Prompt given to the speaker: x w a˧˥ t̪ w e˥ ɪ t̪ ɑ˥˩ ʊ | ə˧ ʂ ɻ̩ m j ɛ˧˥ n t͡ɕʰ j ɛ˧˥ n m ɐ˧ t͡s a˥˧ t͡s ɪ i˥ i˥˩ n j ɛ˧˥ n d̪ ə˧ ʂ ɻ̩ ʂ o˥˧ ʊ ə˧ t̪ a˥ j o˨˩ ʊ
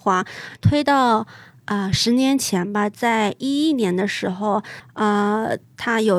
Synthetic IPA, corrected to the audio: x w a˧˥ t̪ʰ w e˥ ɪ t̪ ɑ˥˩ ʊ | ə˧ ʂ ɻ̩ n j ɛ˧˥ n t͡ɕʰ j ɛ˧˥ n b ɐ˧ t͡s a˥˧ ɪ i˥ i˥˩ n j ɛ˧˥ n d̪ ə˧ ʂ ɻ̩ x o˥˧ ʊ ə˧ t̪ʰ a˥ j o˨˩ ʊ